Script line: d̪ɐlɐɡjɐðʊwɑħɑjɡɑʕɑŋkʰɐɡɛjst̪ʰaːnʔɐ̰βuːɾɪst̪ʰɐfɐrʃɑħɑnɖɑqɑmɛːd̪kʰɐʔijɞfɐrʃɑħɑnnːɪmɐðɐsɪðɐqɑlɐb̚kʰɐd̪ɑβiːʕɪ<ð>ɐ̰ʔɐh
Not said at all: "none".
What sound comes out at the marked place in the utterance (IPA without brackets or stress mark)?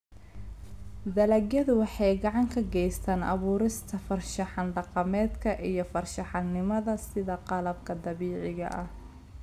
ɣ